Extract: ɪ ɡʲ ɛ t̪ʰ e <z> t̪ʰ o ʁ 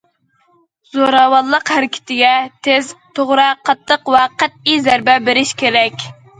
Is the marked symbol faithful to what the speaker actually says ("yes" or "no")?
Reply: yes